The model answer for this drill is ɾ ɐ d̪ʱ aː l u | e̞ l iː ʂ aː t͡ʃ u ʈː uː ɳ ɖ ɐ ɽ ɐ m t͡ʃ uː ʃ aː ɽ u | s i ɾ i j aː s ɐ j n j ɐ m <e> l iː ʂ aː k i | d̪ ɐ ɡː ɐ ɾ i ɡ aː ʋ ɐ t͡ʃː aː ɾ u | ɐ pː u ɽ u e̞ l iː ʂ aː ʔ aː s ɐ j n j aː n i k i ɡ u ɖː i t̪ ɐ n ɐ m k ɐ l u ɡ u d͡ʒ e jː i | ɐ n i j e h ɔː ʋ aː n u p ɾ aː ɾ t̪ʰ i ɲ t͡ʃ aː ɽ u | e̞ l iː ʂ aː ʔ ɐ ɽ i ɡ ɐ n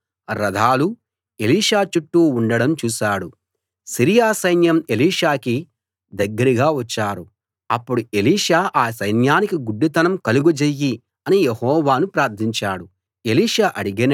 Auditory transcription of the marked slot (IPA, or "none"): e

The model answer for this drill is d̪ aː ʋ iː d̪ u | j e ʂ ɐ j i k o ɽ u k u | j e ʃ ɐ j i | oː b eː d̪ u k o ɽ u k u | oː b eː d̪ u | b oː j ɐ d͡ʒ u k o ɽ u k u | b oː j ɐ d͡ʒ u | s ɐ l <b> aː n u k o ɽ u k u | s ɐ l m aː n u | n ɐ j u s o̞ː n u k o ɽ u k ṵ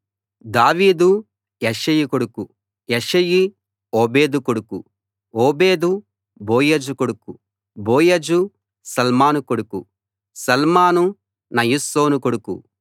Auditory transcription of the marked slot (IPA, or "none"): m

